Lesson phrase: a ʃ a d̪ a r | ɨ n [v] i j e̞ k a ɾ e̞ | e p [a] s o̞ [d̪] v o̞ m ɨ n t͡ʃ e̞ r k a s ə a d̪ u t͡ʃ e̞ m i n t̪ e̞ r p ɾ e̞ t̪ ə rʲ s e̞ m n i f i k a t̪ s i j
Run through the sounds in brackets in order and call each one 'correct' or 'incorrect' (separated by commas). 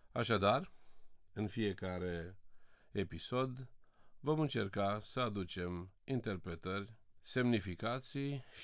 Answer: incorrect, incorrect, correct